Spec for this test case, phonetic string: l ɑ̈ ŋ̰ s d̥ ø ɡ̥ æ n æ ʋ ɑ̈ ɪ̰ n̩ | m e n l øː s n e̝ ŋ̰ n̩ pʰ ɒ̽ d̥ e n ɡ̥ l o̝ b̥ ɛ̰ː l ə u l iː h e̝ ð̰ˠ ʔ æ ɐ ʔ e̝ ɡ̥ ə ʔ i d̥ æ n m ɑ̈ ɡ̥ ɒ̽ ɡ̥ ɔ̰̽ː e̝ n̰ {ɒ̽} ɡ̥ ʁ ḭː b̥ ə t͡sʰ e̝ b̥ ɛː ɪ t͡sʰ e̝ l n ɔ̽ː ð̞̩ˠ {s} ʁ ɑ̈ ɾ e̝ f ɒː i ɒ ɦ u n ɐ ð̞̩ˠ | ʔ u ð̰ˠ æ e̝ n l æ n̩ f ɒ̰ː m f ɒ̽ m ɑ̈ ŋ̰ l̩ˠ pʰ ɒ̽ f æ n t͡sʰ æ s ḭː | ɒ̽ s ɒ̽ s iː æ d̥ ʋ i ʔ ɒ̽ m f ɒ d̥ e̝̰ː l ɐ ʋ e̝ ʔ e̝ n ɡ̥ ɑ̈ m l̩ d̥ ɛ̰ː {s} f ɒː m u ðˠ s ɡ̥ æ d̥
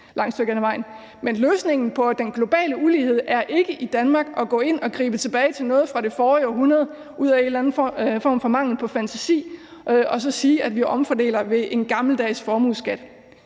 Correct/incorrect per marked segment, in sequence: correct, incorrect, correct

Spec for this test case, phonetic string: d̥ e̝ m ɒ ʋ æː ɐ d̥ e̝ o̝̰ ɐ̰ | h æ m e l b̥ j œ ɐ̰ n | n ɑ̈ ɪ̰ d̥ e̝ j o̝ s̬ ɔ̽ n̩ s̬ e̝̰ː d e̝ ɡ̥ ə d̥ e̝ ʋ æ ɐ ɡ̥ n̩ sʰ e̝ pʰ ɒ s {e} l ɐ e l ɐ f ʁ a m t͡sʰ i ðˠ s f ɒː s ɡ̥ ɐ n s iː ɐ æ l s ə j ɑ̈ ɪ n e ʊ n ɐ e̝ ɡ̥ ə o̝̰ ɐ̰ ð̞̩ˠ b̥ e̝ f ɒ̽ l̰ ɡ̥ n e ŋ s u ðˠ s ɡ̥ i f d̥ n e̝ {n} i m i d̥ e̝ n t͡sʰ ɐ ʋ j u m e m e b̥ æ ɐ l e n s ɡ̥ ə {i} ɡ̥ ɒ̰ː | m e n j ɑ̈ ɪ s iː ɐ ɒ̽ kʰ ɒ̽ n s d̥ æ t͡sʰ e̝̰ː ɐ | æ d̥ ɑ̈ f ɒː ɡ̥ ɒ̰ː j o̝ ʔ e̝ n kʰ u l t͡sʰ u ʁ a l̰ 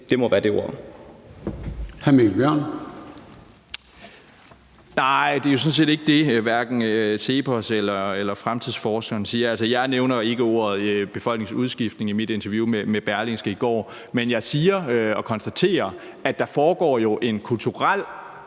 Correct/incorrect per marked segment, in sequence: correct, incorrect, correct

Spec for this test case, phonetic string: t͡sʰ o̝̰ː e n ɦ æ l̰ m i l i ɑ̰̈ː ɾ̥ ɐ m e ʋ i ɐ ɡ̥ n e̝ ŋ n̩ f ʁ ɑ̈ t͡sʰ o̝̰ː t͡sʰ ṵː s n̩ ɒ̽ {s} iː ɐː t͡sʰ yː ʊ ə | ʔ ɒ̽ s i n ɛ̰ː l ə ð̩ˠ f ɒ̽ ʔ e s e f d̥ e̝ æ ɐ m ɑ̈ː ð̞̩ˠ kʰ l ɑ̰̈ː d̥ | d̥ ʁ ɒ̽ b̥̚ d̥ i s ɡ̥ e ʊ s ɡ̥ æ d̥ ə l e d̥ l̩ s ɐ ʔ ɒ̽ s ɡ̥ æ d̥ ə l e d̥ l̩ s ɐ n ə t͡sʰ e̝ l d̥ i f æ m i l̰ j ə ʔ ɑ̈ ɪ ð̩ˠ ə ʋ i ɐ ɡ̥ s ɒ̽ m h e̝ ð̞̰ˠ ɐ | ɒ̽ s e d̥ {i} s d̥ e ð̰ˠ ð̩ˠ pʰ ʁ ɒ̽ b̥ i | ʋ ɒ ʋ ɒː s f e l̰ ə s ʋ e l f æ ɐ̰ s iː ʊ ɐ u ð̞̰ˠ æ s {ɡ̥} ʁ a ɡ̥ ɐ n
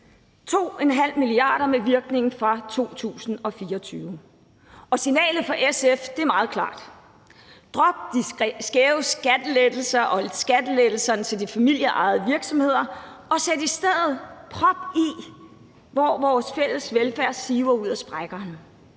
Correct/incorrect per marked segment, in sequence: incorrect, correct, incorrect

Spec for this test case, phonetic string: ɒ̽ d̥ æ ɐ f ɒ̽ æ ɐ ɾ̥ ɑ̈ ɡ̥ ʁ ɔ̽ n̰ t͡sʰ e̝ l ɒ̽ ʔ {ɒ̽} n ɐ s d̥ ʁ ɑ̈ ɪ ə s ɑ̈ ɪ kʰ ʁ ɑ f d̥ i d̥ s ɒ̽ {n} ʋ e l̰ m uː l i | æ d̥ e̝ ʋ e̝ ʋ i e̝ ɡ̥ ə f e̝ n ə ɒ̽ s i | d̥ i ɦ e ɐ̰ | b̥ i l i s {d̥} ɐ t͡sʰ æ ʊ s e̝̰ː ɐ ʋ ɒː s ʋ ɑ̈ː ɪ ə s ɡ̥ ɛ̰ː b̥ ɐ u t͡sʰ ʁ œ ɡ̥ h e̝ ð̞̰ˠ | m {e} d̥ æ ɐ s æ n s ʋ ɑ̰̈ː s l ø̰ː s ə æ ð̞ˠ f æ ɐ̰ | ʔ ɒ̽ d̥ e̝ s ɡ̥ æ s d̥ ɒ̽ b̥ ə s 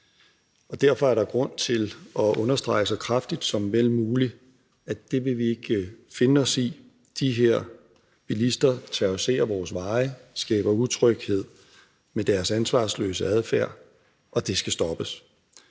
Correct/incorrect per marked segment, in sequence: incorrect, incorrect, correct, correct

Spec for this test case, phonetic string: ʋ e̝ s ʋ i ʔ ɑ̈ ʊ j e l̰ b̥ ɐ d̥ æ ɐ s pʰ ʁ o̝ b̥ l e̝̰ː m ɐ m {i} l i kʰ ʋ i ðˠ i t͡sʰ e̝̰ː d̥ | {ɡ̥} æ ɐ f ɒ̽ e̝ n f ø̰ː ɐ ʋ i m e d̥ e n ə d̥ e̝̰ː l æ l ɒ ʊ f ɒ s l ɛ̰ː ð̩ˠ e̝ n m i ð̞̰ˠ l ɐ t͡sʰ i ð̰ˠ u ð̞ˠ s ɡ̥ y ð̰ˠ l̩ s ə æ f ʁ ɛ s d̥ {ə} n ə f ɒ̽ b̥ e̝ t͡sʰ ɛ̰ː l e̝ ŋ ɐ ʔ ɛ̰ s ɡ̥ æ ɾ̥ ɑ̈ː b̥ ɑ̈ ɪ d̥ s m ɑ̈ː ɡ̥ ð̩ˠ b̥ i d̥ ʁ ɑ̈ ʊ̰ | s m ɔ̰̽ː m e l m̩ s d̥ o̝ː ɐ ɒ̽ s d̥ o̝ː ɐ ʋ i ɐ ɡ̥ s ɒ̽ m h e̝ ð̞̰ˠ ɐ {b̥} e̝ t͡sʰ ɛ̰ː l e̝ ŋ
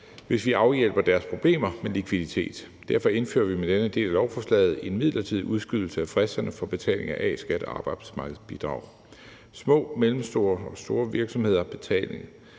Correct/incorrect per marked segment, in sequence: incorrect, incorrect, incorrect, correct

